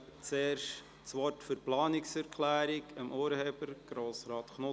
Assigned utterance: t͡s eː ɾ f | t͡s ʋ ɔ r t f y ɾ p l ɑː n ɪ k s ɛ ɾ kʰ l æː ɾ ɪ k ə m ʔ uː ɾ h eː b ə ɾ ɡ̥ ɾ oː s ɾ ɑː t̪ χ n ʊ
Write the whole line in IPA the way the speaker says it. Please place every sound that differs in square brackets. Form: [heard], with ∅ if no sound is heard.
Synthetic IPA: t͡s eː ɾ [ʃ] | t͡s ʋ ɔ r t f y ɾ p l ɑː n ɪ k s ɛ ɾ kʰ l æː ɾ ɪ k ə m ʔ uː ɾ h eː b ə ɾ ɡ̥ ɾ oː s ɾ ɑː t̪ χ n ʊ